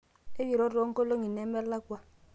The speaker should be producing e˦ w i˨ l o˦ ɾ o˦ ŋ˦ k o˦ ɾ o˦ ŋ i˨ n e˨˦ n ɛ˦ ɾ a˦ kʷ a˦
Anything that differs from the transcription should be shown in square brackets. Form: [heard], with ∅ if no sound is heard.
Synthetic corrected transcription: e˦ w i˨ [ɾ] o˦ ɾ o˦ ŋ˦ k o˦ [l] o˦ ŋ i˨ n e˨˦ [m] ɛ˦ [l] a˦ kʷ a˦